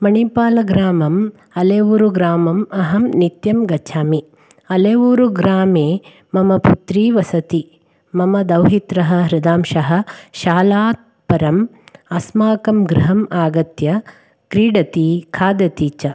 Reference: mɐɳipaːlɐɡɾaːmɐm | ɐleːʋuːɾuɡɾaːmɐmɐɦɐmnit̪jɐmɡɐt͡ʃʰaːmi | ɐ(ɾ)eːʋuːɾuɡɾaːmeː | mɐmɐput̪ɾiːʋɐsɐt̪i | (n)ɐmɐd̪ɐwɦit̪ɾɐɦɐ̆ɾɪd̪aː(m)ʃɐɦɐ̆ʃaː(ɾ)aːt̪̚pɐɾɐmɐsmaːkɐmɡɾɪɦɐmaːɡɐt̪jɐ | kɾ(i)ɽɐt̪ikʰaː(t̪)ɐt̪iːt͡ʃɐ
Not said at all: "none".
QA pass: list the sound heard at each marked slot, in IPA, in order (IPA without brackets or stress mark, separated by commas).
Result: l, m, m, l, iː, d̪